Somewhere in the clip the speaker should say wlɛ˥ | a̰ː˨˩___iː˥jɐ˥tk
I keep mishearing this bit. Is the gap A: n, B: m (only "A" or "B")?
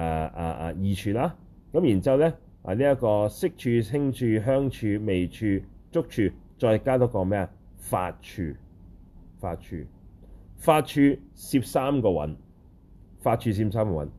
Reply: A